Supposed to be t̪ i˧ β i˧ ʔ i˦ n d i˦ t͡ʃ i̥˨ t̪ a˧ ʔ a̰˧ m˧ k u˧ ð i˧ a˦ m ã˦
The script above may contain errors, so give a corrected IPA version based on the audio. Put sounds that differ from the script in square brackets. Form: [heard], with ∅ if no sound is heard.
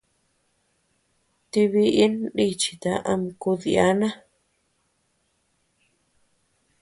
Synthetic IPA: t̪ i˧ β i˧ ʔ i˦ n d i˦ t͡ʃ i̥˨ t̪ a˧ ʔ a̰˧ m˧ k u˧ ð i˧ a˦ [n] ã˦

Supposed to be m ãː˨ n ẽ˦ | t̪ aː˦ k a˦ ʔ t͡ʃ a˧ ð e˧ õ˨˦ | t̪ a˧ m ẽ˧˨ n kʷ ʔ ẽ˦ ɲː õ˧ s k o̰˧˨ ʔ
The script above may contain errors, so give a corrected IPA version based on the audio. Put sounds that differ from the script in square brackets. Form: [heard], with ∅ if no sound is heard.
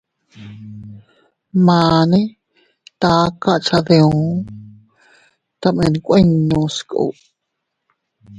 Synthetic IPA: m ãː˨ n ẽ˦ | t̪ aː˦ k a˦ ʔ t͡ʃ a˧ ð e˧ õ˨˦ | t̪ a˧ m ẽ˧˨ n kʷ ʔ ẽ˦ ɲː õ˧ s k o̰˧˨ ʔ

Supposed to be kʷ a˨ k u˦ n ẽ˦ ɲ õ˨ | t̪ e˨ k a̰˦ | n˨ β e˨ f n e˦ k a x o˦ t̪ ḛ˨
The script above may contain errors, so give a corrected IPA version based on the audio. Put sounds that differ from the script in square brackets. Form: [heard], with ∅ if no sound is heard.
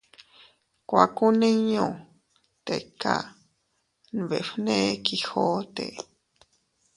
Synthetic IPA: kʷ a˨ k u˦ n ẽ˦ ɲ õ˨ | t̪ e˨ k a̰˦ | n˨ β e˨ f n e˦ k [i] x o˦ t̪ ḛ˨

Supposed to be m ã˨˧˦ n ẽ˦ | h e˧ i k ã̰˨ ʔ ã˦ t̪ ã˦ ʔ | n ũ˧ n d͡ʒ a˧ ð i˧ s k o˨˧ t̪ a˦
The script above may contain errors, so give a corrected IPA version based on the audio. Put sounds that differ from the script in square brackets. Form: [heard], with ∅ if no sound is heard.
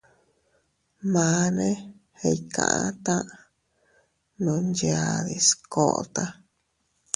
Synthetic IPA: m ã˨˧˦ n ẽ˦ | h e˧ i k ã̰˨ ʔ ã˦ t̪ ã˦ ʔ | n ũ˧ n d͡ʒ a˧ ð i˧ s k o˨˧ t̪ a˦

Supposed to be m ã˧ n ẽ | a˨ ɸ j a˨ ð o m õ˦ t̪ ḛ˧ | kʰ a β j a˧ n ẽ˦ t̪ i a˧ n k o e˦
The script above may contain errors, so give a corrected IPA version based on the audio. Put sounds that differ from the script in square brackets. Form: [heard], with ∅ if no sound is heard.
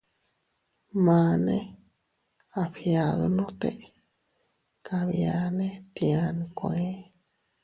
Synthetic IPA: m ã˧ n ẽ | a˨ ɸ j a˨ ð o [n] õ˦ t̪ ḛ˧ | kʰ a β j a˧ n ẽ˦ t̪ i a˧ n k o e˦

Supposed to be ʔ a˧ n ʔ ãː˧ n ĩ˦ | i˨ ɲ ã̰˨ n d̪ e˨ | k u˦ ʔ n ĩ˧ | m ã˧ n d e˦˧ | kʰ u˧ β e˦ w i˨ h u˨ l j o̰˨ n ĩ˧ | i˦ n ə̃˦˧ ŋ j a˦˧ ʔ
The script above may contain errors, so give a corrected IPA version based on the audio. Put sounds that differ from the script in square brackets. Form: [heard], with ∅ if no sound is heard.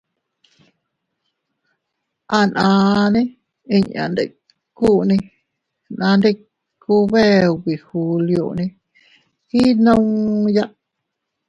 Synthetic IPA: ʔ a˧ n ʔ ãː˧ n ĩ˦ | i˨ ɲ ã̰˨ n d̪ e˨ | k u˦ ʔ n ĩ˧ | [n] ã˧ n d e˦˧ | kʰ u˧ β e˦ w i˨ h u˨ l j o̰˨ n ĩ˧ | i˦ n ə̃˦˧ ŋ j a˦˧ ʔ

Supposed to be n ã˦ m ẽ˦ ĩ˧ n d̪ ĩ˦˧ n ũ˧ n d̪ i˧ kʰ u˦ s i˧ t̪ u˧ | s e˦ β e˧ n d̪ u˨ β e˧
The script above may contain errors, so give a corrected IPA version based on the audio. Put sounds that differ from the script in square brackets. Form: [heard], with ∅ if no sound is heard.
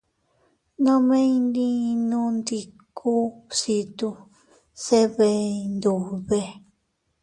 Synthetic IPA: n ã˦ m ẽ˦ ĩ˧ n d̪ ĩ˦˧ n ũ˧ n d̪ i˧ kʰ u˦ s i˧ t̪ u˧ | s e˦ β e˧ n d̪ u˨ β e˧

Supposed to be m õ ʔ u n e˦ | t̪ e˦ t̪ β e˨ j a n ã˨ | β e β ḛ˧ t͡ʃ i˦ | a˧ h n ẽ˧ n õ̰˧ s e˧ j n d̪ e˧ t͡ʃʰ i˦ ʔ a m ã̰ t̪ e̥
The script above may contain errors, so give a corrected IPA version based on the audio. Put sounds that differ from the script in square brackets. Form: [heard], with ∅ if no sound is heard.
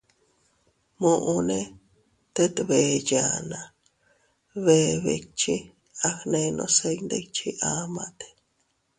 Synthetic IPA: m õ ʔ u n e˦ | t̪ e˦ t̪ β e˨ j a n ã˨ | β e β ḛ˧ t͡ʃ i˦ | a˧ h n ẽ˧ n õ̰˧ s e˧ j n d̪ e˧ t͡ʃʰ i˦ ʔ a m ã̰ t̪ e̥

